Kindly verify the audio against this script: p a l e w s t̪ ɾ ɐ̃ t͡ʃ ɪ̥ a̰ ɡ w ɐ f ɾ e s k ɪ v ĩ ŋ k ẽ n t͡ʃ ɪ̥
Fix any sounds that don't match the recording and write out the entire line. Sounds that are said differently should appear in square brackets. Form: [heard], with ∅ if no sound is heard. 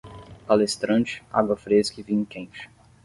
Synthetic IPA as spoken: p a l e [∅] s t̪ ɾ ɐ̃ t͡ʃ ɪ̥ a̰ ɡ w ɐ f ɾ e s k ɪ v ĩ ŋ k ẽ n t͡ʃ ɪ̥